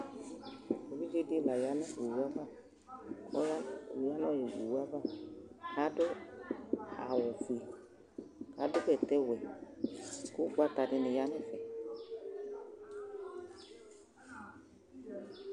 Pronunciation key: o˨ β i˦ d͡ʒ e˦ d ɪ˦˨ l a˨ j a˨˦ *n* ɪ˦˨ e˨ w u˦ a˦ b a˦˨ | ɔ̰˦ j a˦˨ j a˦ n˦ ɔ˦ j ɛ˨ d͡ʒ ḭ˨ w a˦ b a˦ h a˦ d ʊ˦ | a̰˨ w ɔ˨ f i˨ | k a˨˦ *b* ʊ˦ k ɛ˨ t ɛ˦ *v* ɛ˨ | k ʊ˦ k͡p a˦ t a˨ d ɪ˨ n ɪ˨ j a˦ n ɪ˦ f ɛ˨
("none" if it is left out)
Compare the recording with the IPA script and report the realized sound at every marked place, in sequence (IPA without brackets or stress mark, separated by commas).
n, d, w